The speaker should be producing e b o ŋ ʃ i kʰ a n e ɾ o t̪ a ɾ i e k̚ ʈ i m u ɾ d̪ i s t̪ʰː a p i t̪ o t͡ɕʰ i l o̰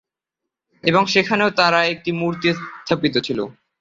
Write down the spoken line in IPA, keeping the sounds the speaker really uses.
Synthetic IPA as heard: e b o ŋ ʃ e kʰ a n e o t̪ a ɾ a e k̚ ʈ i m u ɾ t̪ i s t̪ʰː a p i t̪ o t͡ɕʰ i l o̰